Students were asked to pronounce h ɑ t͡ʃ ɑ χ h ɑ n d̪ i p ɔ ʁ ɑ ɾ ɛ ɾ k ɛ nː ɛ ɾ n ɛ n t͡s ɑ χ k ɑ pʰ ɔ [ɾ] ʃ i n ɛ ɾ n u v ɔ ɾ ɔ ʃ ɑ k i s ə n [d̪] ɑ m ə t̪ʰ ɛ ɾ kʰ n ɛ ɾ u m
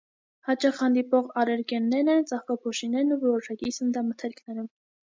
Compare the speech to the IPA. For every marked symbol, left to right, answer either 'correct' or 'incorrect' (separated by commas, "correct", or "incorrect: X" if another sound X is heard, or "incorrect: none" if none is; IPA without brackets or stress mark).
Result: incorrect: none, correct